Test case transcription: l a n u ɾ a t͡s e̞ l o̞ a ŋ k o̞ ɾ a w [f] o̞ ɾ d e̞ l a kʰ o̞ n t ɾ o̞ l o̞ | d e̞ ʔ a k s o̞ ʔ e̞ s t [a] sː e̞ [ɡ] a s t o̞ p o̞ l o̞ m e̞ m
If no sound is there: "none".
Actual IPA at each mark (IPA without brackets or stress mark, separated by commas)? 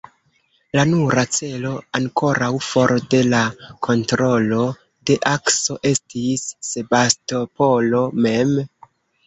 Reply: f, i, b